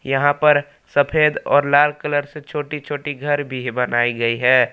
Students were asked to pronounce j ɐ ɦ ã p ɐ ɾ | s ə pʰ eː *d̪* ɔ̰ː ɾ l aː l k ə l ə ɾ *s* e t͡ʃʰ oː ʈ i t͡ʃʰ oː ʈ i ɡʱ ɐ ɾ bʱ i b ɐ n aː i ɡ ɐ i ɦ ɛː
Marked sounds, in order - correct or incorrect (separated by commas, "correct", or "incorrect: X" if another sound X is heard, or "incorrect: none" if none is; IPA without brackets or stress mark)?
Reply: correct, correct